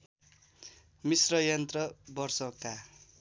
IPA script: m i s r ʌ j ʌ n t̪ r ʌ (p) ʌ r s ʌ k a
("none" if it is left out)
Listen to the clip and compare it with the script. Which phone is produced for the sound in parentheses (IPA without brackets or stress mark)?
b